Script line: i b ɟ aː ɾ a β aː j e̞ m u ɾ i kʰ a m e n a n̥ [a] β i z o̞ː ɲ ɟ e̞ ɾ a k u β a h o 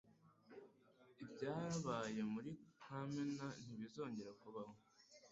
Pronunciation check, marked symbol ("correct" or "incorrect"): incorrect